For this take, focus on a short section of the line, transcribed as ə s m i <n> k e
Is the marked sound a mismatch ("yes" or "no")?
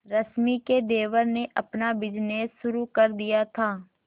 yes